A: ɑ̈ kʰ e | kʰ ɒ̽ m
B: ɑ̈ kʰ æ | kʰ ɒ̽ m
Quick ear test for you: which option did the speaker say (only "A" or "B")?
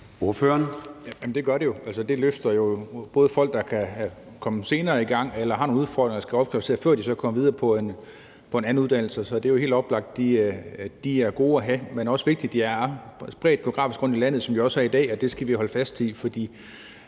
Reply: B